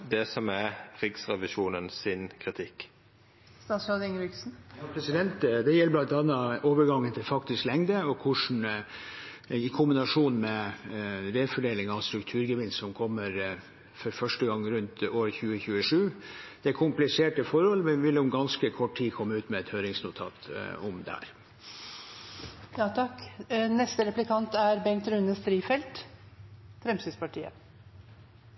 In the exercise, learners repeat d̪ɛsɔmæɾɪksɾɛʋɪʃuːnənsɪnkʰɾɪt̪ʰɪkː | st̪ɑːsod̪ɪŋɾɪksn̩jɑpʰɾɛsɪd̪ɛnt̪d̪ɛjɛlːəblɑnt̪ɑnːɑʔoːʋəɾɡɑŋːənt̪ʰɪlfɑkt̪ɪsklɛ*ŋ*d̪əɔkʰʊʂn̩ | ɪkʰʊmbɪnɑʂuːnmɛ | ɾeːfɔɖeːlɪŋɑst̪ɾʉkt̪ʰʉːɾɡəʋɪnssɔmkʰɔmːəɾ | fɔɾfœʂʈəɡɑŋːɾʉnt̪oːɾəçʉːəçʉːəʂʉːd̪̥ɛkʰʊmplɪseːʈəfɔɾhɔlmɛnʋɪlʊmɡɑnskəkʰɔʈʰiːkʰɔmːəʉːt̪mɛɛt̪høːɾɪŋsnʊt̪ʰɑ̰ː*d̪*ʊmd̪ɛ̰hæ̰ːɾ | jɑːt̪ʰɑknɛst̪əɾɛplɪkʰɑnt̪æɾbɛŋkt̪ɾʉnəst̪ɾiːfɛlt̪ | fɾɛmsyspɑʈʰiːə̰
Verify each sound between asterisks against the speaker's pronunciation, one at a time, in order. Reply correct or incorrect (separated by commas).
correct, incorrect